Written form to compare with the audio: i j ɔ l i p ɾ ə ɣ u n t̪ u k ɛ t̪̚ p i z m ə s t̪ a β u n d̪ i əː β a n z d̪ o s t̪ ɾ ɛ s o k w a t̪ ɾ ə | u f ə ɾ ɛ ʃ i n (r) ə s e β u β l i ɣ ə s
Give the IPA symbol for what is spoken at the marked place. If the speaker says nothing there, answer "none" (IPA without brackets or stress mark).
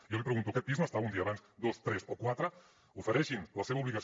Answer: l